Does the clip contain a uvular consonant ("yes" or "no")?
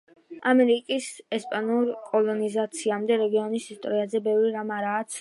no